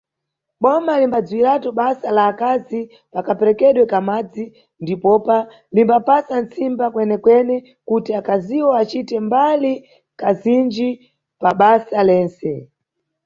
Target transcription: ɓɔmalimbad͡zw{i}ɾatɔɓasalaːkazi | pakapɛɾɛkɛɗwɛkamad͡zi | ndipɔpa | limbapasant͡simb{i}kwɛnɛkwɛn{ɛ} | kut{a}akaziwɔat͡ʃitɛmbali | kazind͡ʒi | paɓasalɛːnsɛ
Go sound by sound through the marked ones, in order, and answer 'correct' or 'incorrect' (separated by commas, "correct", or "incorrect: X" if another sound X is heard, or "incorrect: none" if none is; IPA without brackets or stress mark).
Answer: correct, incorrect: a, correct, incorrect: i